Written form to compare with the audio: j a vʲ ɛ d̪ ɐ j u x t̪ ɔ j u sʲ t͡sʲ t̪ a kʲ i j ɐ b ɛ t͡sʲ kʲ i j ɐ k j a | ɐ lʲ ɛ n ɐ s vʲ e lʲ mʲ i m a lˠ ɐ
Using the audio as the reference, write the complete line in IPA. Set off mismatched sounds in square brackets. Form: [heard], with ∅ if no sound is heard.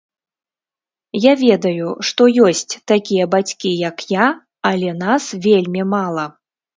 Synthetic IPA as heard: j a vʲ ɛ d̪ ɐ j u [ʂ] t̪ ɔ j [ɔ] sʲ t͡sʲ t̪ a kʲ i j ɐ b [a] t͡sʲ kʲ i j ɐ k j a | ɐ lʲ ɛ n [a] s vʲ e lʲ mʲ i m a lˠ ɐ